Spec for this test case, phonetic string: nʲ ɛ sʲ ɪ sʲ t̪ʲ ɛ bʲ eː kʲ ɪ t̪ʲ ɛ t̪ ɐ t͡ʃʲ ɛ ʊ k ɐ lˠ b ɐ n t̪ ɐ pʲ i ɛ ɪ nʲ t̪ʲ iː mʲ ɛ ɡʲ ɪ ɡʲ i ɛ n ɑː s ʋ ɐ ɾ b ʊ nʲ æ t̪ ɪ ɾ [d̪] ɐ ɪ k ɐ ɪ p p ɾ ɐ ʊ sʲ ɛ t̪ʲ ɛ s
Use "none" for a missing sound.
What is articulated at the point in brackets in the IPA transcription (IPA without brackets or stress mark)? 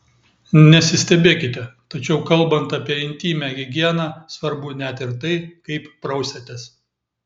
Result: t̪